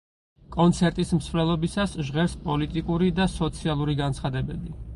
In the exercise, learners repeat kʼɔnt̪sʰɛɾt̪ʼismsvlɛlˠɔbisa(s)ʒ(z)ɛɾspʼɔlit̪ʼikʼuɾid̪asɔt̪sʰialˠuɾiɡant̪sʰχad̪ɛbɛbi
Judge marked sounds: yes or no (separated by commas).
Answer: yes, no